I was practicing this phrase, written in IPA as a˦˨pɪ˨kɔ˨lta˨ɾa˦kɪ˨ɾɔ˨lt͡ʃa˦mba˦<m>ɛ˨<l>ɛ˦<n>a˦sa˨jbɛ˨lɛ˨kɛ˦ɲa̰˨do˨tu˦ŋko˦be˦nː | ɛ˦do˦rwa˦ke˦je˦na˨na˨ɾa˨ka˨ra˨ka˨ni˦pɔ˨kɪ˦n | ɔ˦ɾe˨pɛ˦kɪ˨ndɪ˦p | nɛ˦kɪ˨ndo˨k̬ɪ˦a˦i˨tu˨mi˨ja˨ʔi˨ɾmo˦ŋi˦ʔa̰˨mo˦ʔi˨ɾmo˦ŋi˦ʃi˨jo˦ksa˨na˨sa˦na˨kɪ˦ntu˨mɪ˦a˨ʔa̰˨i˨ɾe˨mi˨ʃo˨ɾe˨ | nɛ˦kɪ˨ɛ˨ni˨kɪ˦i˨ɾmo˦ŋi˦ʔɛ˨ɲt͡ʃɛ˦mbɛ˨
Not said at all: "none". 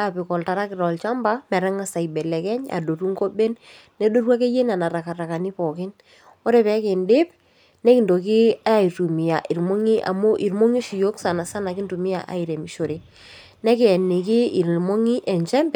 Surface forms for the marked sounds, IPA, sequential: m, ɾ, ŋ

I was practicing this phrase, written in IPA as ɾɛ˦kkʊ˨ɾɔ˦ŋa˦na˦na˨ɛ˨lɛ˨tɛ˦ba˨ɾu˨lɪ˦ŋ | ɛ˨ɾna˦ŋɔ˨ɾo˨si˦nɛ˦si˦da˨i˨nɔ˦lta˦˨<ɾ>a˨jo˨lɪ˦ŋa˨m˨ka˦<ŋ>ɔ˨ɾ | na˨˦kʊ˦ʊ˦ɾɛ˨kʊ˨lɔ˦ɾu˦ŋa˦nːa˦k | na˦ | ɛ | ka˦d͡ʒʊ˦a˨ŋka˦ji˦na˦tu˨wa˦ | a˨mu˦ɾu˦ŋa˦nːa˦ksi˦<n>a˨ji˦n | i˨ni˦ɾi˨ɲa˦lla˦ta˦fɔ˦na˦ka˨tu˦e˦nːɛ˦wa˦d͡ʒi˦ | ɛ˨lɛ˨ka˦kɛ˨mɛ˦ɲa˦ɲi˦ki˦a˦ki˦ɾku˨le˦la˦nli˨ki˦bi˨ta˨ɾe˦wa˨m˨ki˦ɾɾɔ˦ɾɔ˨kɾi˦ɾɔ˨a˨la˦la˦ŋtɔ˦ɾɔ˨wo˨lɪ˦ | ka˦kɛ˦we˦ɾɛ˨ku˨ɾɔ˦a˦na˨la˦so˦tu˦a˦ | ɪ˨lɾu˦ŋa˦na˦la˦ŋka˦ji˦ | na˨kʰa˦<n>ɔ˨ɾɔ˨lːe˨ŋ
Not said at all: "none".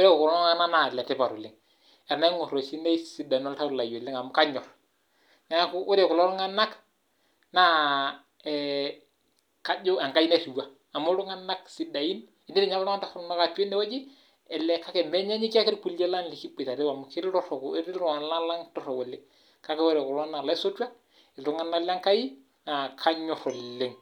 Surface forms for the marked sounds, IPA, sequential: l, ɲ, d, ɲ

